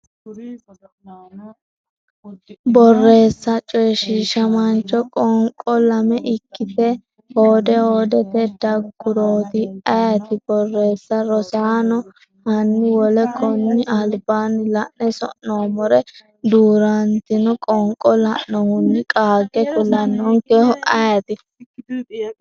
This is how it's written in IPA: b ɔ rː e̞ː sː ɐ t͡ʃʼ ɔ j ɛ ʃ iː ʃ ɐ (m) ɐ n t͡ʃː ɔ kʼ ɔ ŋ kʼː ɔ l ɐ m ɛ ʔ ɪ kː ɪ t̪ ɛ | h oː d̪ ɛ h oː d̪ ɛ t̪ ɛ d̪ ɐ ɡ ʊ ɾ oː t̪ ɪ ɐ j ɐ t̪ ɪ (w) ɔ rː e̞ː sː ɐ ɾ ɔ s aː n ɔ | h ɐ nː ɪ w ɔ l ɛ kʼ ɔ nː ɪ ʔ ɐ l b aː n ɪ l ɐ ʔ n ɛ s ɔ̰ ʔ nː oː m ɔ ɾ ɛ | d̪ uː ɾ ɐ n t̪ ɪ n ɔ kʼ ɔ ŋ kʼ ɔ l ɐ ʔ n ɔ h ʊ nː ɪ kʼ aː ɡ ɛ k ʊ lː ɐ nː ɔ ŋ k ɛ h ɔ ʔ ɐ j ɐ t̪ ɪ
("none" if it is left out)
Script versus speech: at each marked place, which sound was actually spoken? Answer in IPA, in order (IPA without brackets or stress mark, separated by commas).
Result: m, b